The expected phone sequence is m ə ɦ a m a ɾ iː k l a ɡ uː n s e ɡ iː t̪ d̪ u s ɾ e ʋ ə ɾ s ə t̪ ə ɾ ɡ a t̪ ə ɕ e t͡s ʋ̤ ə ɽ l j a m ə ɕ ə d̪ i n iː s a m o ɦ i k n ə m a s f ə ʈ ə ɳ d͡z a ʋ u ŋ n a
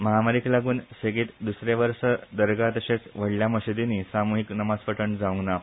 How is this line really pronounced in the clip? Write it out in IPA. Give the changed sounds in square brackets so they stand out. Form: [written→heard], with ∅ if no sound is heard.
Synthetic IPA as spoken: m ə ɦ a m a ɾ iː k l a ɡ uː n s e ɡ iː t̪ d̪ u s ɾ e ʋ ə ɾ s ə [t̪→d̪] ə ɾ ɡ a t̪ ə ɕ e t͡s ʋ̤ ə ɽ l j a m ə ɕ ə d̪ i n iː s a m [o→u] ɦ i k n ə m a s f ə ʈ ə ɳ d͡z a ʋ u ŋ n a